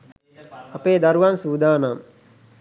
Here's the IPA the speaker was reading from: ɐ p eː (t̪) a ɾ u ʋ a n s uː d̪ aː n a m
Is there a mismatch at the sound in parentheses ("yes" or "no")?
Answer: yes